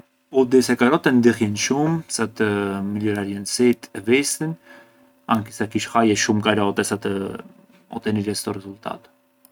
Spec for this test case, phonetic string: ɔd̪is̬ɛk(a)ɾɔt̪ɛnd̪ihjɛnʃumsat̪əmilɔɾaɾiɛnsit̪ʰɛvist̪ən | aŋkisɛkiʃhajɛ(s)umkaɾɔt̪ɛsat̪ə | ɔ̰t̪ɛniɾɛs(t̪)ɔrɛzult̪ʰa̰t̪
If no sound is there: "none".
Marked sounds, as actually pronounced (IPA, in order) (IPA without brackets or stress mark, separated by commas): a, ʃ, t̪